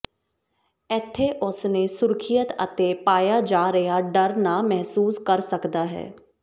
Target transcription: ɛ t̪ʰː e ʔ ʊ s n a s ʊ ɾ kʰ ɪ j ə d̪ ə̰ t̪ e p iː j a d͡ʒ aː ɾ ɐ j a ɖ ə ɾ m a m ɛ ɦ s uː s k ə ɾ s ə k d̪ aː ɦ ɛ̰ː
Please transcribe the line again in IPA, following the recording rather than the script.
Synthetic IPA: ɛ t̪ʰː e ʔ ʊ s n e s ʊ ɾ kʰ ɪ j ə t̪ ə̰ t̪ e p aː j a d͡ʒ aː ɾ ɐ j a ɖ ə ɾ n a m ɛ ɦ s uː s k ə ɾ s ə k d̪ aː ɦ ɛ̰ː

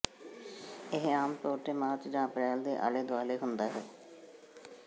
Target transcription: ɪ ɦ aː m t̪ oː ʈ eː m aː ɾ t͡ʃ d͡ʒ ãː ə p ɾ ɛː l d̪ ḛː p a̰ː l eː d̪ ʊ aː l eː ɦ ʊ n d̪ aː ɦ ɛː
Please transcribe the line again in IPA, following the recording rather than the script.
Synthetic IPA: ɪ ɦ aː m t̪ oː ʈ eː m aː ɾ t͡ʃ d͡ʒ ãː ə p ɾ ɛː l d̪ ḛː ʔ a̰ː l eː d̪ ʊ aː l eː ɦ ʊ n d̪ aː ɦ ɛː

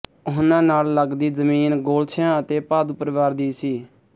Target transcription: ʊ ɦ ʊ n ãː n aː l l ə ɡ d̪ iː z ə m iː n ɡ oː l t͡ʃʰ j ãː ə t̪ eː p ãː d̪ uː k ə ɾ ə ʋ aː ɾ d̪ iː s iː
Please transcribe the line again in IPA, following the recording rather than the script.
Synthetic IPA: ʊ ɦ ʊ n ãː n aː l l ə ɡ d̪ iː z ə m iː n ɡ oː l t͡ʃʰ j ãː ə t̪ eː p aː d̪ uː p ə ɾ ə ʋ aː ɾ d̪ iː s iː

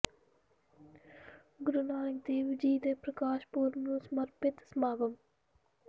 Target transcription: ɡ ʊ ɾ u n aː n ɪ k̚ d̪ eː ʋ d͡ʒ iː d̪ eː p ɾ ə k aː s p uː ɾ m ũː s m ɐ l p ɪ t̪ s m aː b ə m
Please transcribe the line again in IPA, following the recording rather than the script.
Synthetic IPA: ɡ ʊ ɾ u n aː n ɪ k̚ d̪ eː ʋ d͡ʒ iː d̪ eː p ɾ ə k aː ʃ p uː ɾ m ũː s m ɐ ɾ p ɪ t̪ s m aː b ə m

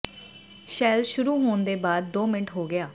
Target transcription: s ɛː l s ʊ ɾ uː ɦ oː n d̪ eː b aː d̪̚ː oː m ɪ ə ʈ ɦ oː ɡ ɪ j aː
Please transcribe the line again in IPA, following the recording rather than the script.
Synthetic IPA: ʃ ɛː l ʃ ʊ ɾ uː ɦ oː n d̪ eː b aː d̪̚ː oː m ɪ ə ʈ ɦ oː ɡ ɪ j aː

